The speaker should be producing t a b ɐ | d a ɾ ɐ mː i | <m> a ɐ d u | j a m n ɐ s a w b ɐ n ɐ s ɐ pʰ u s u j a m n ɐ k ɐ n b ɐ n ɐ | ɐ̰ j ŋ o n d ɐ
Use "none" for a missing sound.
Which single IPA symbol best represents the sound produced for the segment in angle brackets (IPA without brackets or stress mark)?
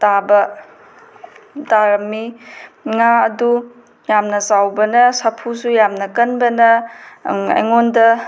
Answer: ŋ